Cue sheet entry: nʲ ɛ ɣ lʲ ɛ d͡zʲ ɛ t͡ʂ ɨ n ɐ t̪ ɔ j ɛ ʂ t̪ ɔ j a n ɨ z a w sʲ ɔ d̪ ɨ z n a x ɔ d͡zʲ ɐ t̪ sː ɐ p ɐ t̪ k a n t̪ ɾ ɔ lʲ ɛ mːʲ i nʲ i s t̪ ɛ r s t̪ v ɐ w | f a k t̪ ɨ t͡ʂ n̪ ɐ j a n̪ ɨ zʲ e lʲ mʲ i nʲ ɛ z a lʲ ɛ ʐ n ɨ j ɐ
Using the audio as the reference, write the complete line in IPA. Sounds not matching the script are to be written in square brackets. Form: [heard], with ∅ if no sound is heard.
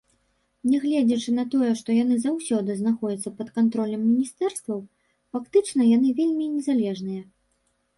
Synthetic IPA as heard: nʲ ɛ ɣ lʲ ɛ d͡zʲ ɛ t͡ʂ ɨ n ɐ t̪ ɔ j ɛ ʂ t̪ ɔ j a n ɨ z a w sʲ ɔ d̪ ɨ z n a x ɔ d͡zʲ ɐ t̪ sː ɐ p ɐ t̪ k a n t̪ ɾ ɔ lʲ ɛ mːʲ i nʲ i s t̪ ɛ r s t̪ v ɐ w | f a k t̪ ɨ t͡ʂ n̪ ɐ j a n̪ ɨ [vʲ] e lʲ mʲ i nʲ ɛ z a lʲ ɛ ʐ n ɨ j ɐ